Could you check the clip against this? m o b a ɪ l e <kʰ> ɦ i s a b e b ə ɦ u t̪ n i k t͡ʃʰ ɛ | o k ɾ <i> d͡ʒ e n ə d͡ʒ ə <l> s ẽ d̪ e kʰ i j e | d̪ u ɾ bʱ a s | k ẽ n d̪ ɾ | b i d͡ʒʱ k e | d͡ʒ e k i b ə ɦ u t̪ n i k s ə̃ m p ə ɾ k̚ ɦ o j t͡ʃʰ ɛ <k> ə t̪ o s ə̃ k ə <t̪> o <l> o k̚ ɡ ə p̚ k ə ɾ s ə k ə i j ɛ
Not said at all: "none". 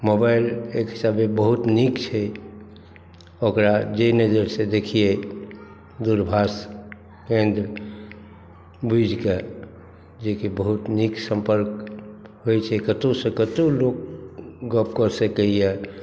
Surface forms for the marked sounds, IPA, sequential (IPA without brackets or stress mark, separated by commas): k, a, ɾ, k, t̪, l